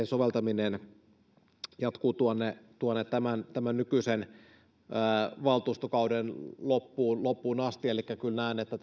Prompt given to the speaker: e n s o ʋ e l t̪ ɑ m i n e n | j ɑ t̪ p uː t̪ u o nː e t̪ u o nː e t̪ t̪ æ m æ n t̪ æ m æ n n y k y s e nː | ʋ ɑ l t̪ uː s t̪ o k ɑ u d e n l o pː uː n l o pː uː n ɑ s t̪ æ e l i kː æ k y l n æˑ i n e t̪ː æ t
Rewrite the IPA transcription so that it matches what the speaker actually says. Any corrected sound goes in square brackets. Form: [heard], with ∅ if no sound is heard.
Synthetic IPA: e n s o ʋ e l t̪ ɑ m i n e n | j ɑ t̪ [k] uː t̪ u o nː e t̪ u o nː e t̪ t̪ æ m æ n t̪ æ m æ n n y k y s e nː | ʋ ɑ l t̪ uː s t̪ o k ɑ u d e n l o pː uː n l o pː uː n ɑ s t̪ [i] e l i kː æ k y l n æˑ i n e t̪ː æ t